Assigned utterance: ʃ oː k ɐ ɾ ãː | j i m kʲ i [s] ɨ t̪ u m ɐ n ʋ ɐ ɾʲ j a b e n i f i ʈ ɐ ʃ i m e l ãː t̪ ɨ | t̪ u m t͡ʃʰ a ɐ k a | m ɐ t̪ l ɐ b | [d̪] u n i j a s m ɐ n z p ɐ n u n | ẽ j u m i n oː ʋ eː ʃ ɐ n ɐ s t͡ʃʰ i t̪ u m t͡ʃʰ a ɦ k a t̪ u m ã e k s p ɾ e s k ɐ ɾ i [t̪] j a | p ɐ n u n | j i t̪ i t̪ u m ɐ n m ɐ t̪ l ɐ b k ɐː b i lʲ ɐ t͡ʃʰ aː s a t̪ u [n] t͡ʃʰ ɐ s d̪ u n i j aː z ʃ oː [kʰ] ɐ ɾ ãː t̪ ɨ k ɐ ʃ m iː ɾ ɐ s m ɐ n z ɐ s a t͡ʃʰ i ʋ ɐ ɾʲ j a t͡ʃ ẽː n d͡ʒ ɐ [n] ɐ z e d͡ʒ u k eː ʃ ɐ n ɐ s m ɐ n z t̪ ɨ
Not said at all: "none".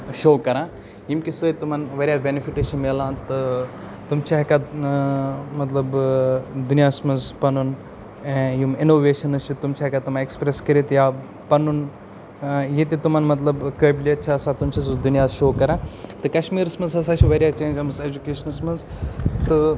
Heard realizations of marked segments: s, d̪, t̪, m, k, m

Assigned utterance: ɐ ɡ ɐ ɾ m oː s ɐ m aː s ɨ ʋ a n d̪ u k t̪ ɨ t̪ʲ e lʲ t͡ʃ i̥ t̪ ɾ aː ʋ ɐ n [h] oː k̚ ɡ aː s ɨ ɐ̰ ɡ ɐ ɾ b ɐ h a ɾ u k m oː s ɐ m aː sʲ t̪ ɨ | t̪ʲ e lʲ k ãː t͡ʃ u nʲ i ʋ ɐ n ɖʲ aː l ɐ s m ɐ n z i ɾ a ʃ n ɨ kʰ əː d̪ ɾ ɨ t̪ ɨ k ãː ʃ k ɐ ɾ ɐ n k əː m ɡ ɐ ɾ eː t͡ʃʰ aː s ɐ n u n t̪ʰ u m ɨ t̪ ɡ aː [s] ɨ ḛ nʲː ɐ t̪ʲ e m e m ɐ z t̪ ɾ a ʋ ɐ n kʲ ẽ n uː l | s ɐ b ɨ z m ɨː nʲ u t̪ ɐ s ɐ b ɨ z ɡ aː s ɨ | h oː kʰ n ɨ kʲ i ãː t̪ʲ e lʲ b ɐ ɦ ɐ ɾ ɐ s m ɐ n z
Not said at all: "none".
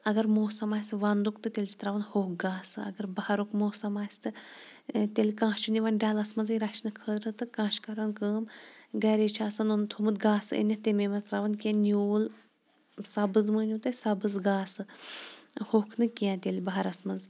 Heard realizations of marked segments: h, s

